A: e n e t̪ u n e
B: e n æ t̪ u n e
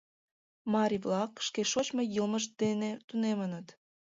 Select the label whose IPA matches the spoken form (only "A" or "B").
A